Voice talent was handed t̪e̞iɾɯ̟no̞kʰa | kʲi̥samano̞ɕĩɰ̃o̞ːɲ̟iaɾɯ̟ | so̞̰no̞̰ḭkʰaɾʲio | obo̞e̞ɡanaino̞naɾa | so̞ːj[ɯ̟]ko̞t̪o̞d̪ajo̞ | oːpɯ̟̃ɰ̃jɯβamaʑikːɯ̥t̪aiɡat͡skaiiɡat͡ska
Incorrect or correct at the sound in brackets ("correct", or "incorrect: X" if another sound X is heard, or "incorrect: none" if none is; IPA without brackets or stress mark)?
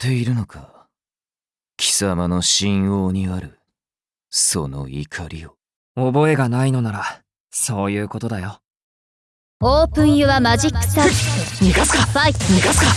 incorrect: ɯ̟ː